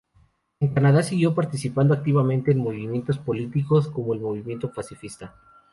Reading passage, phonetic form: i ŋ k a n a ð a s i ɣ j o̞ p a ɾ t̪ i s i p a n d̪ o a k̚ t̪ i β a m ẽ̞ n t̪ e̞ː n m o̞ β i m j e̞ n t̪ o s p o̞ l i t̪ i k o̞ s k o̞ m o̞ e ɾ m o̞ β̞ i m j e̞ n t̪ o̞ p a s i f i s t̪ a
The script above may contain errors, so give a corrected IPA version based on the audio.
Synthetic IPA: e ŋ k a n a ð a s i ɣ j o̞ p a ɾ t̪ i s i p a n d̪ o a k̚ t̪ i β a m ẽ̞ n t̪ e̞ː n m o̞ β i m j e̞ n t̪ o s p o̞ l i t̪ i k o̞ s k o̞ m o̞ e l m o̞ β̞ i m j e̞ n t̪ o̞ p a s i f i s t̪ a